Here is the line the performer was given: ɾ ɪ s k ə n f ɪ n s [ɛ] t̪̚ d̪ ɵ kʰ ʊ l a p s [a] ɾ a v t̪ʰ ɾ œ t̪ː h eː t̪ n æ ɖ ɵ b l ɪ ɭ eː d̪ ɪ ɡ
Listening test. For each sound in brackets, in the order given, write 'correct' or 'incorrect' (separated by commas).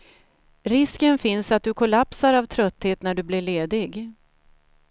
incorrect, correct